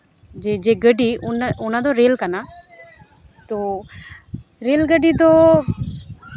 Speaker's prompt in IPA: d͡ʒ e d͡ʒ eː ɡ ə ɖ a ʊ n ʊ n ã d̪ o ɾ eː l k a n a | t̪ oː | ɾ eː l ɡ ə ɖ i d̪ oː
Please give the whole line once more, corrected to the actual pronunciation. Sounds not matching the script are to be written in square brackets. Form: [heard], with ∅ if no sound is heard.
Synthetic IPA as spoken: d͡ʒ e d͡ʒ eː ɡ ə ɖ [i] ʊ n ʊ n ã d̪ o ɾ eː l k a n a | t̪ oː | ɾ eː l ɡ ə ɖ i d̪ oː